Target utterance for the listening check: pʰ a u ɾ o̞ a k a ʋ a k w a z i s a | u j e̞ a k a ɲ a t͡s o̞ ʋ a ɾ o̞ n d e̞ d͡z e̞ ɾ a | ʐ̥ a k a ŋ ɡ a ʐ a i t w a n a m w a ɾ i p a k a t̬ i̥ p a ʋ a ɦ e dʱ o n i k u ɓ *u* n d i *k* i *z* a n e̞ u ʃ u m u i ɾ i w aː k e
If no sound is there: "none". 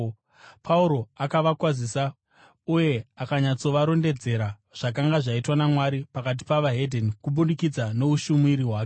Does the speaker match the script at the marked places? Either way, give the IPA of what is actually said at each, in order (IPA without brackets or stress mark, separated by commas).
u, k, d͡z